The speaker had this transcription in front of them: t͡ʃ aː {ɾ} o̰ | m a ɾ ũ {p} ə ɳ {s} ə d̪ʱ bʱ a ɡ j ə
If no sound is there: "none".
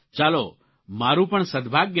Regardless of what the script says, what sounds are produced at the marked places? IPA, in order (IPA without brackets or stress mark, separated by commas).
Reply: l, p, s